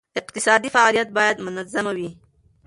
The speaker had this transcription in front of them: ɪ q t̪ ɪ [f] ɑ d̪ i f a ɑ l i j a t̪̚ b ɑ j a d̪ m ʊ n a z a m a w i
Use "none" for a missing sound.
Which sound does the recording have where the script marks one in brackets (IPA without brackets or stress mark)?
s